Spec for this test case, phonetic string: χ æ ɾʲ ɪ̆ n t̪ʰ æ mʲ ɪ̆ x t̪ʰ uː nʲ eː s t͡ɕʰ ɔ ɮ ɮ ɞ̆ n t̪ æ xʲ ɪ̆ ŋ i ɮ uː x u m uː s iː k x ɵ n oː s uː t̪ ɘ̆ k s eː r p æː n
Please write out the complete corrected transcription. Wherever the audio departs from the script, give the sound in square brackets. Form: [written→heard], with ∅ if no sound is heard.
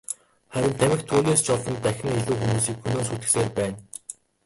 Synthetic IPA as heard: χ æ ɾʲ ɪ̆ n t̪ʰ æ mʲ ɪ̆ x t̪ʰ uː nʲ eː s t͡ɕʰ ɔ ɮ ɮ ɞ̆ n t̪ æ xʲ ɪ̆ ŋ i ɮ uː x u m uː s iː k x ɵ n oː s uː t̪ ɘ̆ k s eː r p æː n